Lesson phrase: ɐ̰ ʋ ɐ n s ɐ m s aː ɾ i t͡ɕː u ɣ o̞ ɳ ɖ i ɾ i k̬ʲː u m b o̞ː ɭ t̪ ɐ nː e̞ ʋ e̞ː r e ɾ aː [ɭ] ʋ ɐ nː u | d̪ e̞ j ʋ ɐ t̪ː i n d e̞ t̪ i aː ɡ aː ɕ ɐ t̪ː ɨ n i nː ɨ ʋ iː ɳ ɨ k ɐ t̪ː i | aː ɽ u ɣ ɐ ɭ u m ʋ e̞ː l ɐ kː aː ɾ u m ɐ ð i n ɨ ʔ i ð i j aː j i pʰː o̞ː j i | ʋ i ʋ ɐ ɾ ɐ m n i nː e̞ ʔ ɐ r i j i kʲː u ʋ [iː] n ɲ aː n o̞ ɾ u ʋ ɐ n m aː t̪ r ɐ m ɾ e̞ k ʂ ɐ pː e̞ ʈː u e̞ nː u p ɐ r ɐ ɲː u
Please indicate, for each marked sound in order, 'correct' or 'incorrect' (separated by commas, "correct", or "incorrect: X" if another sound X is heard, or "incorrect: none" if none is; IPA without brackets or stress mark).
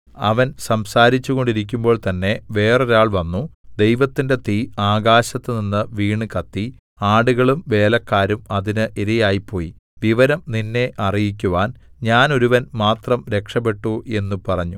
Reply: correct, incorrect: aː